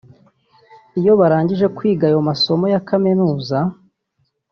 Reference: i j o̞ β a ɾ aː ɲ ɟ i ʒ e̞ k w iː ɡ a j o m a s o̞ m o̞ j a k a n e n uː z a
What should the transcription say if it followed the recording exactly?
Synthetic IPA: i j o̞ β a ɾ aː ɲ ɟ i ʒ e̞ k w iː ɡ a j o m a s o̞ m o̞ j a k a m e n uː z a